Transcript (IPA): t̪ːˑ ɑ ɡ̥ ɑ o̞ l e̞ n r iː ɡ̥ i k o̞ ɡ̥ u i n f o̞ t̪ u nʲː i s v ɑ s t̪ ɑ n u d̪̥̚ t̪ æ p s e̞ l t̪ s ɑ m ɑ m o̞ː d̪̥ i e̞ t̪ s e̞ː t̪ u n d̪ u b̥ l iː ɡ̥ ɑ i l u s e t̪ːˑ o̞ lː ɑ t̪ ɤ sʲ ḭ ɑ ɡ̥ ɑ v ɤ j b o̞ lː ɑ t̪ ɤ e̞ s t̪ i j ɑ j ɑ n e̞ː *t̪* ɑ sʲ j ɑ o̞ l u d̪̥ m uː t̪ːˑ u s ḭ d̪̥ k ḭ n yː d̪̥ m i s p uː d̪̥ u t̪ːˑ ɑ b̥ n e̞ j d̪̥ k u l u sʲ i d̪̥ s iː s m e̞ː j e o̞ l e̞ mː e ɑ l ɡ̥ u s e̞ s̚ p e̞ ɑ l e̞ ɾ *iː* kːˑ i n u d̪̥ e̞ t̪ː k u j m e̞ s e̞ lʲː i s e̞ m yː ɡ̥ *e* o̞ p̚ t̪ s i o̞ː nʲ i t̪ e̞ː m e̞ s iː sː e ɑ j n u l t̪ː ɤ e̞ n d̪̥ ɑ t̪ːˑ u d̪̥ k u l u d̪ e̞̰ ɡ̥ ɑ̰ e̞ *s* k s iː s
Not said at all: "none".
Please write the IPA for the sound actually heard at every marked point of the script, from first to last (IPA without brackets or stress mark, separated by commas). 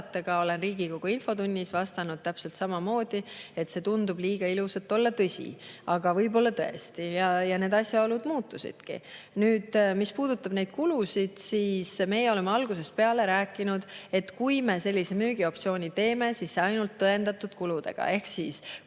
d̪, æː, i, h